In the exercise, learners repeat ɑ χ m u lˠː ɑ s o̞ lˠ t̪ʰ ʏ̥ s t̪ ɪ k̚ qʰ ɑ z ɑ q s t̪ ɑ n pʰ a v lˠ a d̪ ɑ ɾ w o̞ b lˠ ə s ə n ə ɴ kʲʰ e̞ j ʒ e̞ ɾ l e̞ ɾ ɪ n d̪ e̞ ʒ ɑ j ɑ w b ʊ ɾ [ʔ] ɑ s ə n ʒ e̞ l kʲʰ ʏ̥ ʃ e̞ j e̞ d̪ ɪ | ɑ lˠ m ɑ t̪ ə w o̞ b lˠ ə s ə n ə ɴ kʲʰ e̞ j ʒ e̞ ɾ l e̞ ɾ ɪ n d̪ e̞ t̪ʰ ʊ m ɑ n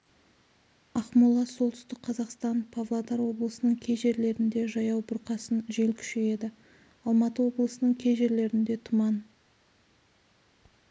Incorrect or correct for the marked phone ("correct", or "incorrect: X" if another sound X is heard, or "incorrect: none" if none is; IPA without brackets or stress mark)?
incorrect: q